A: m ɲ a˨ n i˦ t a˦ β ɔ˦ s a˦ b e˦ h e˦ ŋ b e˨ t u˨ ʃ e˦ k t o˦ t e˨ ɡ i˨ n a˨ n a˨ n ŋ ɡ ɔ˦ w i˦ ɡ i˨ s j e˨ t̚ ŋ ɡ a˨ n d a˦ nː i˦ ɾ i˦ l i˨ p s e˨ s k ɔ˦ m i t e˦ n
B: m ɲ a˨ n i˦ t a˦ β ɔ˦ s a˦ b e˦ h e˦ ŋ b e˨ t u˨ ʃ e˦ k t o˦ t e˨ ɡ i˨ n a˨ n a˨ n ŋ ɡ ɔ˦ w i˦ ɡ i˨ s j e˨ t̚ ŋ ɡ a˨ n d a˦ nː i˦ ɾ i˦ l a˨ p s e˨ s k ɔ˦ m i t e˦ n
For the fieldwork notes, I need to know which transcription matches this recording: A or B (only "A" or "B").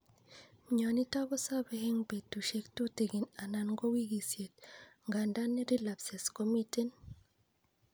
B